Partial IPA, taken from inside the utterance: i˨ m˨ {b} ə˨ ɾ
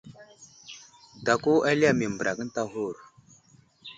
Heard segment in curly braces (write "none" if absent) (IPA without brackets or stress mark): b